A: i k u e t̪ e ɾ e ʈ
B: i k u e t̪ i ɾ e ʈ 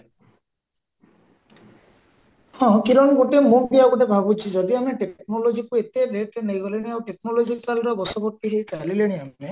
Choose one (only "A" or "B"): A